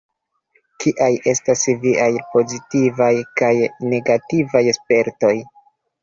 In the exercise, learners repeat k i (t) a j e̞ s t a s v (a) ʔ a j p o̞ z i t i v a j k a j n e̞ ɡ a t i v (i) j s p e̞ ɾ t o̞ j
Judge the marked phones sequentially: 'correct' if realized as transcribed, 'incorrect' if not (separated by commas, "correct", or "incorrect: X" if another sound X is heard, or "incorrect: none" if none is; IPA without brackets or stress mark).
incorrect: ʔ, incorrect: i, incorrect: a